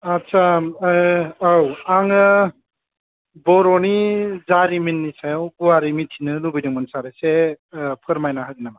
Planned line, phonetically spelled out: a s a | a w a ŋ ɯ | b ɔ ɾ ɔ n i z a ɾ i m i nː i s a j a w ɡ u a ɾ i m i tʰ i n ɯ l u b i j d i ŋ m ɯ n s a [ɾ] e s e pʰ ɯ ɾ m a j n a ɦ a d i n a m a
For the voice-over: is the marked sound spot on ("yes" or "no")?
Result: yes